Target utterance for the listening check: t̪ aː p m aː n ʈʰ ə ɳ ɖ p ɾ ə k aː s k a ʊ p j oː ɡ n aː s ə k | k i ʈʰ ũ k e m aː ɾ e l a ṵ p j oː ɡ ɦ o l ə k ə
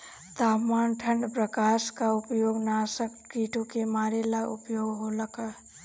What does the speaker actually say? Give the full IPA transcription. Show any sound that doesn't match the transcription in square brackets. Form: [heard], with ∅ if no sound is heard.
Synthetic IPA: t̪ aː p m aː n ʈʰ ə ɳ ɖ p ɾ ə k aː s k a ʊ p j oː ɡ n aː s ə k | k i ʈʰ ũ k e m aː ɾ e l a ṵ p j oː ɡ ɦ o l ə k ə

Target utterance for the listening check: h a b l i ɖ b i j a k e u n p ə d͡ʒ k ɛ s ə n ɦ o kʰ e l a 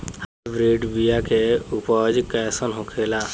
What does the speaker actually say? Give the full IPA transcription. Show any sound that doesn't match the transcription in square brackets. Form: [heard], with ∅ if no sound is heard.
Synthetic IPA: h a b [ɾ] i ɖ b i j a k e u [∅] p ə d͡ʒ k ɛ s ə n ɦ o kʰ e l a

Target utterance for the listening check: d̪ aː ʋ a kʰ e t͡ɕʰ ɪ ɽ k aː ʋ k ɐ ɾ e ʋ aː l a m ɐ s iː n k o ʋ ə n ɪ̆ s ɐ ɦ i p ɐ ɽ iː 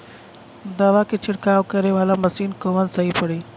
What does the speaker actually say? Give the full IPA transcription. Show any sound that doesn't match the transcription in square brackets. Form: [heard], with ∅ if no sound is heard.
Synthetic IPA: d̪ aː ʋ a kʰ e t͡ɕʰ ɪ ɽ k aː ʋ k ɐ ɾ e ʋ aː l a m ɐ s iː n k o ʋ ə n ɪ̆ s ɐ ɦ i p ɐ ɽ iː

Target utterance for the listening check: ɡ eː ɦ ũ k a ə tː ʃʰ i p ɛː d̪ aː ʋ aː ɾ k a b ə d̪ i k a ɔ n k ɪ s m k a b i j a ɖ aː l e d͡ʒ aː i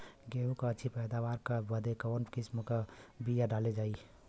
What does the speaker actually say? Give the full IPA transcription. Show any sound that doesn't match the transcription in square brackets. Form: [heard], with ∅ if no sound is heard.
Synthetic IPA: ɡ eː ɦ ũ k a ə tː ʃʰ i p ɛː d̪ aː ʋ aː ɾ k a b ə d̪ [e] k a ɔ n k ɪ s m k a b i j a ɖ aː l e d͡ʒ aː i

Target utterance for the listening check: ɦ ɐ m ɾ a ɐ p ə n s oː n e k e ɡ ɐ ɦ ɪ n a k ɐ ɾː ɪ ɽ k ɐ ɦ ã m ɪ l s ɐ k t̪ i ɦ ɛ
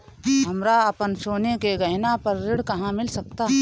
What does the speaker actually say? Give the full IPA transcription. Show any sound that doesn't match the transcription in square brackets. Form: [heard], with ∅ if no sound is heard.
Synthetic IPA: ɦ ɐ m ɾ a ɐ p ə n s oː n e k e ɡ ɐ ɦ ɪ n a [p] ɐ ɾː ɪ ɽ k ɐ ɦ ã m ɪ l s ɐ k t̪ [a] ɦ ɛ

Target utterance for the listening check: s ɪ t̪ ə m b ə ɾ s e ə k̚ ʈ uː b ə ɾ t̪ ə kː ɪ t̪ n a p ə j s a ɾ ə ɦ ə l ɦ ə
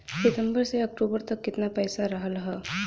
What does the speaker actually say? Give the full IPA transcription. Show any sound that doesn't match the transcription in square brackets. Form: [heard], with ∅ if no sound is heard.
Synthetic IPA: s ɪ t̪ ə m b ə ɾ s e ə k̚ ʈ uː b ə ɾ t̪ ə kː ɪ t̪ n a p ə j s a ɾ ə ɦ ə l ɦ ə

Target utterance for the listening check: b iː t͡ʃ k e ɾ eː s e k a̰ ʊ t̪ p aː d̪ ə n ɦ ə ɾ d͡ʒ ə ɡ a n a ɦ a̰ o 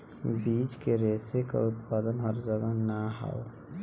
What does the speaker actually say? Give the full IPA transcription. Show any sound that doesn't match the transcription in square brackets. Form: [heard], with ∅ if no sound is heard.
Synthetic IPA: b iː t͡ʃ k e ɾ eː s e k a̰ ʊ t̪ p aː d̪ ə n ɦ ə ɾ d͡ʒ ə ɡ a n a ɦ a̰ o

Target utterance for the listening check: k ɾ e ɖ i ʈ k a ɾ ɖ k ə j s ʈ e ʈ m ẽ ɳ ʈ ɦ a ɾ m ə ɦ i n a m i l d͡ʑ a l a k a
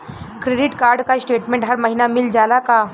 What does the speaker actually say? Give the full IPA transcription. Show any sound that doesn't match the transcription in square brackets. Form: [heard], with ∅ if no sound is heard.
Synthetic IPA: k ɾ e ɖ i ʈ k a ɾ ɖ k [a] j s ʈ e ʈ m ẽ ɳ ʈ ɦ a ɾ m ə ɦ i n a m i l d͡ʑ a l a k a

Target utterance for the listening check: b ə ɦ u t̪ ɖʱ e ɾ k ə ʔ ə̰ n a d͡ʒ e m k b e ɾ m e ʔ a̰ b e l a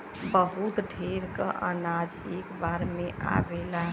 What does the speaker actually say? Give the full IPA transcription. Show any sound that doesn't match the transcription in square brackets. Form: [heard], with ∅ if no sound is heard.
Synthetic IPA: b ə ɦ u t̪ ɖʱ e ɾ k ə ʔ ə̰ n a d͡ʒ e [∅] k b [a] ɾ m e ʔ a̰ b e l a

